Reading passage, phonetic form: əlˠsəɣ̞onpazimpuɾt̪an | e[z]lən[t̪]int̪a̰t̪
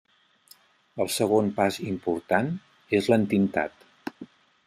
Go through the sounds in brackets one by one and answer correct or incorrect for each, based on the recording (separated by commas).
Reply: correct, correct